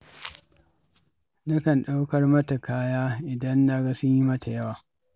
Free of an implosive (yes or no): no